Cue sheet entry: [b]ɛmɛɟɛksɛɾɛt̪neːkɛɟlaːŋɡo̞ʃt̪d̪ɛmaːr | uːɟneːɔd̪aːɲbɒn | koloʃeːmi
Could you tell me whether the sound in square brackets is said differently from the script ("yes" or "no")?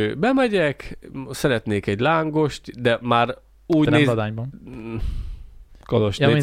no